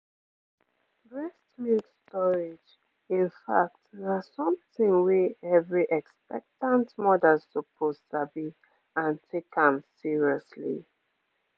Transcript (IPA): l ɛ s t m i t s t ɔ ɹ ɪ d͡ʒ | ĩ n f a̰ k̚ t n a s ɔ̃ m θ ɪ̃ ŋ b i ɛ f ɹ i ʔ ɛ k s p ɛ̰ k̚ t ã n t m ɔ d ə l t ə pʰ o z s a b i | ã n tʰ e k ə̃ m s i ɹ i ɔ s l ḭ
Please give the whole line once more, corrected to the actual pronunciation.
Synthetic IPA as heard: ɹ ɛ s t m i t s t ɔ ɹ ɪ d͡ʒ | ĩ n f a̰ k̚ t n a s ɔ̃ m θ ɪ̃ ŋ w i ɛ v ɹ i ʔ ɛ k s p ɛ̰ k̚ t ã n t m ɔ d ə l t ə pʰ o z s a b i | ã n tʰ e k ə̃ m s i ɹ i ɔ s l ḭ